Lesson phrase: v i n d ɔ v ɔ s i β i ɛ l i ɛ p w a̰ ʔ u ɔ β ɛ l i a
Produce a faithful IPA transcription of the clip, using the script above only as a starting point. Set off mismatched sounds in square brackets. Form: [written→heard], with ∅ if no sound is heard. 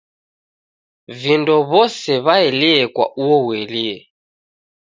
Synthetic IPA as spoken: v i n d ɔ [v→β] ɔ s [i→ɛ] β [i→a] ɛ l i ɛ [p→k] w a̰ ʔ u ɔ [β→w] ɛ l i [a→ɛ]